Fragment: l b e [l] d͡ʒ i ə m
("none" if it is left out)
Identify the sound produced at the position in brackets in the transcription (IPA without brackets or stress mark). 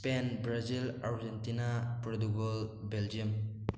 l